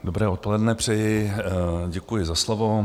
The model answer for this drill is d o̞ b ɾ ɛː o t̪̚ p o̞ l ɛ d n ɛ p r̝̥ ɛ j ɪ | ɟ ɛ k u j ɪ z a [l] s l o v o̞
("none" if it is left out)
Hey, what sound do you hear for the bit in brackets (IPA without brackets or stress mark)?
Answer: none